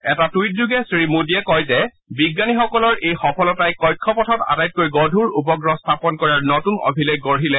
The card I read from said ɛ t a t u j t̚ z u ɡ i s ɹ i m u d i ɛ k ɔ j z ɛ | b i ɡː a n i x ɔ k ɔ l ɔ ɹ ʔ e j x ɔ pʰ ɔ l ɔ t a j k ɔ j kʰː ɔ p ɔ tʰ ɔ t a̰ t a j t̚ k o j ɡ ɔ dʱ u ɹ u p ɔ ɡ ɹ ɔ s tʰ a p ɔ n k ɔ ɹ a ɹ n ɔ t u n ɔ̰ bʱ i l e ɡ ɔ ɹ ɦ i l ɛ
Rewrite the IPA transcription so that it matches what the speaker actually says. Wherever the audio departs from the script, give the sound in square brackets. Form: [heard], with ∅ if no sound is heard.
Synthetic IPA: ɛ t a t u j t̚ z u ɡ [ɛ] s ɹ i m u d i ɛ k ɔ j z ɛ | b i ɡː a n i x ɔ k ɔ l ɔ ɹ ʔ e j x ɔ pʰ ɔ l ɔ t a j k ɔ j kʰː ɔ p ɔ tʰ ɔ t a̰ t a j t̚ k o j ɡ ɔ dʱ u ɹ u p ɔ ɡ ɹ ɔ s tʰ a p ɔ n k ɔ ɹ a ɹ n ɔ t u n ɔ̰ bʱ i l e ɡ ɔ ɹ ɦ i l ɛ